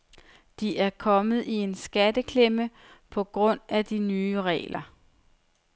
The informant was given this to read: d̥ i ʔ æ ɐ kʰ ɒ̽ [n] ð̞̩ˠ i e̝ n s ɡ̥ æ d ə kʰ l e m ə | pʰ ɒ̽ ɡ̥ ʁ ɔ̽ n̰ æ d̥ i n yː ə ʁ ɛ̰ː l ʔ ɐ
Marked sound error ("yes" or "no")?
yes